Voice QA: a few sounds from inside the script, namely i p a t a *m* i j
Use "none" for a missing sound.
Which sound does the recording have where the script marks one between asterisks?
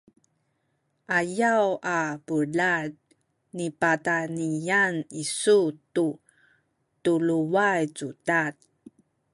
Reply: n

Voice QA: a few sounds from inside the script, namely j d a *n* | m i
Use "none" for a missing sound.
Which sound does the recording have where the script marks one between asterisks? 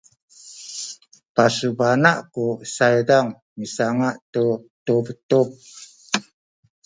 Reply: ŋ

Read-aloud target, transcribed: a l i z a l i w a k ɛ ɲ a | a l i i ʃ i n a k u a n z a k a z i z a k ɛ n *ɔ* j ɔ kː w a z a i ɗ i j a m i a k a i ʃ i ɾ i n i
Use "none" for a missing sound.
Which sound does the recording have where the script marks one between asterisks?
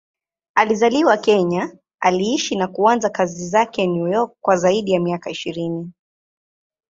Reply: u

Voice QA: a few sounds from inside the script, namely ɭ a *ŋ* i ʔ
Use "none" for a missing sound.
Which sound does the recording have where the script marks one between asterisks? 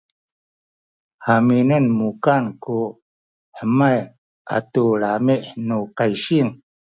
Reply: m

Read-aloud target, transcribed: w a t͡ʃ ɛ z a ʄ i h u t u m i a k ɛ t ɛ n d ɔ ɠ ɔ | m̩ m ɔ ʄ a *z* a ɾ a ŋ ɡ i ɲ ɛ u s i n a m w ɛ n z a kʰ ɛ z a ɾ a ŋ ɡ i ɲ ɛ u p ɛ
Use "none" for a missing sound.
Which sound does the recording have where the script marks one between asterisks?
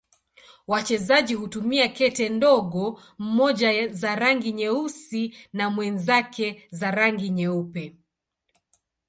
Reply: z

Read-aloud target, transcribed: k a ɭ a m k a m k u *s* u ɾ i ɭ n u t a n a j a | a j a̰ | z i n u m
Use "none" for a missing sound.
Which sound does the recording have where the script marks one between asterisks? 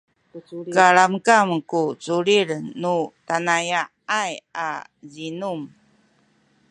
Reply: t͡s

